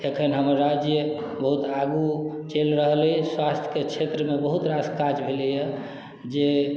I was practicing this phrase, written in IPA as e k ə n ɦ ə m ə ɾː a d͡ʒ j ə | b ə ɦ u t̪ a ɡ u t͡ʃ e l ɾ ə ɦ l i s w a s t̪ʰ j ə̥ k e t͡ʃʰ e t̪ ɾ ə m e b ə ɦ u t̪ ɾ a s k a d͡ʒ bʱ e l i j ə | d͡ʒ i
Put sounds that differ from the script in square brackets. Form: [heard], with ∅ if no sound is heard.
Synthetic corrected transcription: e [kʰ] ə n ɦ ə m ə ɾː a d͡ʒ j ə | b ə ɦ u t̪ a ɡ u t͡ʃ e l ɾ ə ɦ l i s w a s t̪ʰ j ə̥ k e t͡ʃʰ e t̪ ɾ ə m e b ə ɦ u t̪ ɾ a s k a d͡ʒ bʱ e l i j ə | d͡ʒ [e]